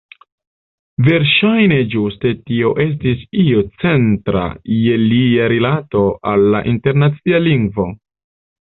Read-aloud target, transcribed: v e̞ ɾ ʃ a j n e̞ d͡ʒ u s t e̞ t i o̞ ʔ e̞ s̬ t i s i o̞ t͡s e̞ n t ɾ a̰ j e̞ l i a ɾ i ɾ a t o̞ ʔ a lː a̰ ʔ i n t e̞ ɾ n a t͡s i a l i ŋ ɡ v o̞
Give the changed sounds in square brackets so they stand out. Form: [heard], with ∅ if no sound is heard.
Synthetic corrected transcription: v e̞ ɾ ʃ a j n e̞ d͡ʒ u s t e̞ t i o̞ ʔ e̞ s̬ t i s i o̞ t͡s e̞ n t ɾ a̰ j e̞ l i a ɾ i [l] a t o̞ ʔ a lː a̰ ʔ i n t e̞ ɾ n a t͡s i a l i ŋ ɡ v o̞

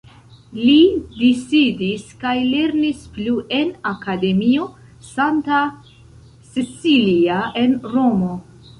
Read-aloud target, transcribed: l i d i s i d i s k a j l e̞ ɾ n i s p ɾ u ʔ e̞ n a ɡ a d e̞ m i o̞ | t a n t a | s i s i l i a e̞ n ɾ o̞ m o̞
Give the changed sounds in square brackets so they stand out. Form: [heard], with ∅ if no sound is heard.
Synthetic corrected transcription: l i d i s i d i s k a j l e̞ ɾ n i s p [l] u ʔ e̞ n a [k] a d e̞ m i o̞ | [s] a n t a | s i s i l i a e̞ n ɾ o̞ m o̞

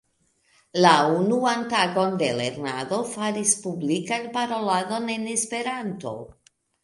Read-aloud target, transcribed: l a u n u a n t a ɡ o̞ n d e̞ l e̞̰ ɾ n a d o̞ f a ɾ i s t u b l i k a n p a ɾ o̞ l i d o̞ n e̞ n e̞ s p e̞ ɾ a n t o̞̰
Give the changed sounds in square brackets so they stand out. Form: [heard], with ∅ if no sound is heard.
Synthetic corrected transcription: l a u n u a n t a ɡ o̞ n d e̞ l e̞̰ ɾ n a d o̞ f a ɾ i s [p] u b l i k a n p a ɾ o̞ l [a] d o̞ n e̞ n e̞ s p e̞ ɾ a n t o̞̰

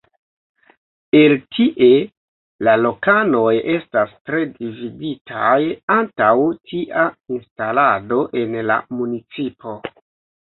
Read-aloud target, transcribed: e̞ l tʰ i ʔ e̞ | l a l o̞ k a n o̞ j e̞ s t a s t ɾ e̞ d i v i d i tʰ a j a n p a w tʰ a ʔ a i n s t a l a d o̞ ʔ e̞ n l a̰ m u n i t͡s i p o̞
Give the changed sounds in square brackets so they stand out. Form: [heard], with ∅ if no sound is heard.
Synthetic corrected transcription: e̞ l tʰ i ʔ e̞ | l a l o̞ k a n o̞ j e̞ s t a s t ɾ e̞ d i v i d i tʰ a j a n [t] a w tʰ [i] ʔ a i n s t a l a d o̞ ʔ e̞ n l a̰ m u n i t͡s i p o̞

